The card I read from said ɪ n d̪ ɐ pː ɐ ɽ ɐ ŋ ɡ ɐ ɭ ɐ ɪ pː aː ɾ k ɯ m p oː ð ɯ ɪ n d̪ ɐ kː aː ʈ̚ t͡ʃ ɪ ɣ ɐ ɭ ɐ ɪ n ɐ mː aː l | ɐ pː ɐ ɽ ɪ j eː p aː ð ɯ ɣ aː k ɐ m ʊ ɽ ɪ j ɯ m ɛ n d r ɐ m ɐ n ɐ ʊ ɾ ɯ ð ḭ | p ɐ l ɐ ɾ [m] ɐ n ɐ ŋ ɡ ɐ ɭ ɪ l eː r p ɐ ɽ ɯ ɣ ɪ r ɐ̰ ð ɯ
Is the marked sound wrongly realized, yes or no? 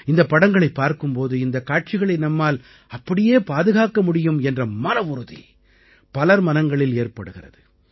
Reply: no